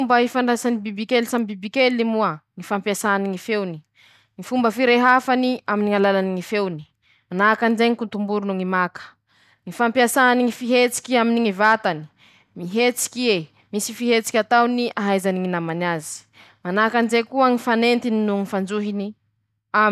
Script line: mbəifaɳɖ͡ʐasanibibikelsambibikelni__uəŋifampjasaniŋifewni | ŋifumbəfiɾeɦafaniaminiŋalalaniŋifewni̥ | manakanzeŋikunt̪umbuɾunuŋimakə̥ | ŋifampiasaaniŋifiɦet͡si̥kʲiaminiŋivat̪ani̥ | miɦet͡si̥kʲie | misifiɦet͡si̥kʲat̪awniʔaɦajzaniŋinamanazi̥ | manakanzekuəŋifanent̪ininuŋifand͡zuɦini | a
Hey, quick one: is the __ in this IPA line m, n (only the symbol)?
m